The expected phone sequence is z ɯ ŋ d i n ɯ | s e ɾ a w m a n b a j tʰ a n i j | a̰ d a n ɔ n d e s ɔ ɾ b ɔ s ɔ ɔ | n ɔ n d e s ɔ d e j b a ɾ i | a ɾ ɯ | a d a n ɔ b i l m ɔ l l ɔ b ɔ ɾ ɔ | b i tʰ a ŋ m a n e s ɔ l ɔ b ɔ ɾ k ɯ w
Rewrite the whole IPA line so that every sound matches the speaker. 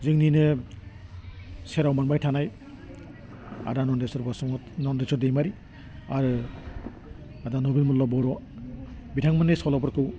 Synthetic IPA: z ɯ ŋ n i n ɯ | s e ɾ a w m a n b a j tʰ a n a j | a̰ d a n ɔ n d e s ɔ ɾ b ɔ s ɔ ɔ | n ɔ n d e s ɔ d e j m a ɾ i | a ɾ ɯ | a d a n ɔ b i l m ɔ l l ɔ b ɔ ɾ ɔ | b i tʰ a ŋ m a n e s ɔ l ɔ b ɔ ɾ k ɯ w